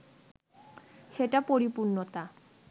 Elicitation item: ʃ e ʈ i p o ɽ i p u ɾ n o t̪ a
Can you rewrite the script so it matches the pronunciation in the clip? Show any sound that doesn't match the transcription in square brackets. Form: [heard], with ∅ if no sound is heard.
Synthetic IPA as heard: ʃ e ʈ [a] p o [ɾ] i p u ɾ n o t̪ a